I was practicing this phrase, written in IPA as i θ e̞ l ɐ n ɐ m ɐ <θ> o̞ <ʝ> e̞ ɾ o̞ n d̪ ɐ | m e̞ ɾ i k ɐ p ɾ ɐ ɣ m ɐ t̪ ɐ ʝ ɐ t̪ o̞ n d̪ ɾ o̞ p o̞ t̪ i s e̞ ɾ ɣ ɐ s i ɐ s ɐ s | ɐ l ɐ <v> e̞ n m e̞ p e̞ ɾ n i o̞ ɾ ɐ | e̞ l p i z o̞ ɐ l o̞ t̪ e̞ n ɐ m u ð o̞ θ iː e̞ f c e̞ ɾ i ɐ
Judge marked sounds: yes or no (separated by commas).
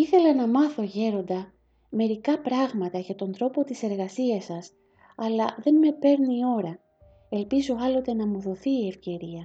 yes, yes, no